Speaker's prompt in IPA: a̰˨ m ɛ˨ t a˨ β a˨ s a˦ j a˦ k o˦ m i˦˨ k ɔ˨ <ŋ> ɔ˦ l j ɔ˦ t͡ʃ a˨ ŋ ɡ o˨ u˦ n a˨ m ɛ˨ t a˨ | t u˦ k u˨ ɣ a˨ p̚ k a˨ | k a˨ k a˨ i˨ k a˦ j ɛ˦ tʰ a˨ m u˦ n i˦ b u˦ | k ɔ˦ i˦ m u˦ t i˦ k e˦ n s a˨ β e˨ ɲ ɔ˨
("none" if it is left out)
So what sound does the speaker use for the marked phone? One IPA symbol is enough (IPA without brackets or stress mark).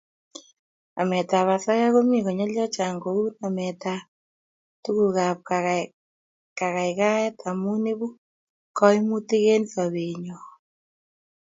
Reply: ɲ